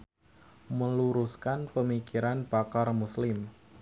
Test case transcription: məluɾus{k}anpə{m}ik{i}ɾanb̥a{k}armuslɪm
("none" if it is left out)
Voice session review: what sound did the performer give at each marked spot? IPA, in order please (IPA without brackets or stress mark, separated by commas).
k, m, i, k